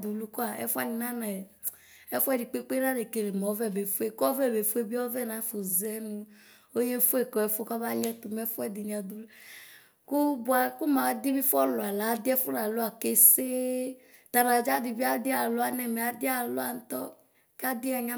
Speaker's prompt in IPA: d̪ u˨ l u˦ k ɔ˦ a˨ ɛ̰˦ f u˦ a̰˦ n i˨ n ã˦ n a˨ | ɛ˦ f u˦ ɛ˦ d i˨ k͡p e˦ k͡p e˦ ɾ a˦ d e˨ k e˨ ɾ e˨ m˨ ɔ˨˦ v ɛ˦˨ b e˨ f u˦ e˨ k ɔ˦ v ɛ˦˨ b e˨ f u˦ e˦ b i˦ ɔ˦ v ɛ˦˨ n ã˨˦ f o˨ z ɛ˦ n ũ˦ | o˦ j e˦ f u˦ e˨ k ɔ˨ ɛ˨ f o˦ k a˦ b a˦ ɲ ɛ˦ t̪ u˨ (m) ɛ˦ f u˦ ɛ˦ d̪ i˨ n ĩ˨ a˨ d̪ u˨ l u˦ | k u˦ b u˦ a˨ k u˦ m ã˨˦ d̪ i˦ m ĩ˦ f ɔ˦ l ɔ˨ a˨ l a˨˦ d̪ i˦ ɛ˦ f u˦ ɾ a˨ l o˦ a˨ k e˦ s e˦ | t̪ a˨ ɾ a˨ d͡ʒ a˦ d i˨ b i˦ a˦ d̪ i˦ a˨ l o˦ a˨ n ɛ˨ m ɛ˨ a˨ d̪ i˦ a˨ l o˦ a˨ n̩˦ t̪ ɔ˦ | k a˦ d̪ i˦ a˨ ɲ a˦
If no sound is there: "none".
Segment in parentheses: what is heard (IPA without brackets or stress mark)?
m